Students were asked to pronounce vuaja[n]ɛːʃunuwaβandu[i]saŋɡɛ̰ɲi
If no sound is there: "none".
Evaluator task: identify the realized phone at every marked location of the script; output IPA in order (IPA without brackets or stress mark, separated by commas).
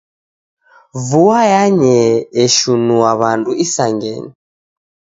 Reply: ɲ, i